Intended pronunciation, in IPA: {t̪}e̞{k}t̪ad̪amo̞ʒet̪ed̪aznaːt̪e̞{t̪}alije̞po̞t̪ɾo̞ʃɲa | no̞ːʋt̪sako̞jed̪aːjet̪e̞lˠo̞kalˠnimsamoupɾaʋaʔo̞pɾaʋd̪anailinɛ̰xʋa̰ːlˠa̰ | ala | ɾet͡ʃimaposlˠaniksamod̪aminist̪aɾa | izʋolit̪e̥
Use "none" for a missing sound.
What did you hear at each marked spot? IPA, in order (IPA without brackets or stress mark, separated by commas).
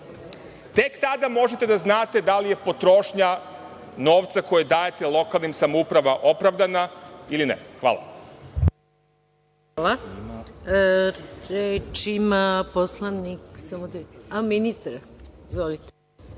t̪, k, d̪